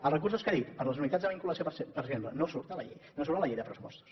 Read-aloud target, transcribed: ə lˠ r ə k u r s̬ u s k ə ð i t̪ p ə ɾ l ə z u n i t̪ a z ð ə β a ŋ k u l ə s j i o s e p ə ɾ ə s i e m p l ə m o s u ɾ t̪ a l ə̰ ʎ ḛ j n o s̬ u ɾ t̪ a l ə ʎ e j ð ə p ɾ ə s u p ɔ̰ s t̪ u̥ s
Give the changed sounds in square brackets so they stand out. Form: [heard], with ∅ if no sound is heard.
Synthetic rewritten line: ə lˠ r ə k u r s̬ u s k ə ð i t̪ p ə ɾ l ə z u n i t̪ a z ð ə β [i] ŋ k u l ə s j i o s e p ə ɾ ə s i e m p l ə [n] o s u ɾ t̪ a l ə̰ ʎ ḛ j n o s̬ u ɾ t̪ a l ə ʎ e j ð ə p ɾ ə s u p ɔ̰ s t̪ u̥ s